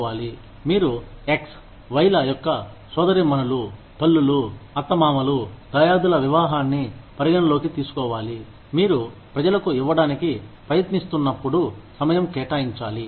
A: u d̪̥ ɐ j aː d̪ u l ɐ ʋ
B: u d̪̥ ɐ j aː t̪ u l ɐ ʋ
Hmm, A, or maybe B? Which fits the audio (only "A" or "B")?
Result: A